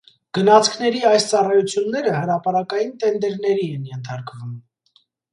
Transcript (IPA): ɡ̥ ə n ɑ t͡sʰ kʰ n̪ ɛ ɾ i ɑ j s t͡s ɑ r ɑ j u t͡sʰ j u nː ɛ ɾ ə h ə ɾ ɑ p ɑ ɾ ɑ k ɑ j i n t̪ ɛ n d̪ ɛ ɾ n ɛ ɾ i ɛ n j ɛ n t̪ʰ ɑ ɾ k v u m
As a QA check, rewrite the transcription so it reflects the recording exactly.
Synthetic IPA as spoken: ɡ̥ ə n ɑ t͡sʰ kʰ n̪ ɛ ɾ i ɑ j s t͡s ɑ r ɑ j u t͡sʰ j u nː ɛ ɾ ə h ə ɾ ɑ p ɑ ɾ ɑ k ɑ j i n t̪ ɛ n d̪ ɛ ɾ n ɛ ɾ i ɛ n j ɛ n t̪ʰ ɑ ɾ k v u m